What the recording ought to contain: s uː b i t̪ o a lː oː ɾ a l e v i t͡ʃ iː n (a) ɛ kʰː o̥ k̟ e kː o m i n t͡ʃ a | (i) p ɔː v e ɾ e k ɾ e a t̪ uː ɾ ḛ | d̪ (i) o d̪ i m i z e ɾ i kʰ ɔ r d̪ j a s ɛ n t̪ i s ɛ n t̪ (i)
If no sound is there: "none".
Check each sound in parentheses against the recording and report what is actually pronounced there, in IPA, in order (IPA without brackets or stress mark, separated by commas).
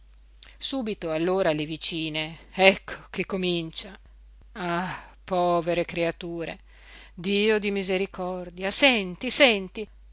e, a, iː, i